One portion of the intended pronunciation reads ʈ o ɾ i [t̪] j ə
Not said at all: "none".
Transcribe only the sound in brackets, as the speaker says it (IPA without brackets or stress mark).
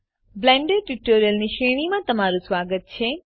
none